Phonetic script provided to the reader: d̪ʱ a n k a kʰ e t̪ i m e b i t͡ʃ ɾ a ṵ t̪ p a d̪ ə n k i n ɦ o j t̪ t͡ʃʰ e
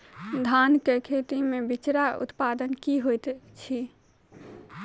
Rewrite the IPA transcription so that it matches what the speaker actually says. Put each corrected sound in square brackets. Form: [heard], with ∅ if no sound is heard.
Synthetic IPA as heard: d̪ʱ a n k [e] kʰ e t̪ i m e b i t͡ʃ ɾ a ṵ t̪ p a d̪ ə n k i [∅] ɦ o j t̪ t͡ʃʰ [i]